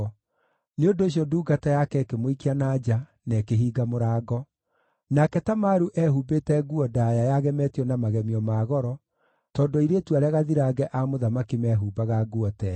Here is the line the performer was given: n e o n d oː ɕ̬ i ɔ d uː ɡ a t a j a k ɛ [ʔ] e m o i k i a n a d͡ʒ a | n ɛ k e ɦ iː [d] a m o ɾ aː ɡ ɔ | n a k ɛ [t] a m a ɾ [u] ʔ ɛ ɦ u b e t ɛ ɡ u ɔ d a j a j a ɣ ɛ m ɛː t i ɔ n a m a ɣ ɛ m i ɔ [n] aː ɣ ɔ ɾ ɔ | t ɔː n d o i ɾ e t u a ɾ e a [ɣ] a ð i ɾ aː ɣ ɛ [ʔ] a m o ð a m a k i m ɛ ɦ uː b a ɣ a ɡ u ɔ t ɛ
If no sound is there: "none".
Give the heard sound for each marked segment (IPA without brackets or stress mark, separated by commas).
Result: k, ɡ, t, u, m, ɣ, ʔ